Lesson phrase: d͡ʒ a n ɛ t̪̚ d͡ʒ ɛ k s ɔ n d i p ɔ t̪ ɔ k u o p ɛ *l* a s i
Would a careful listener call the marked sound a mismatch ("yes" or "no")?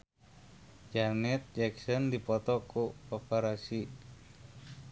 yes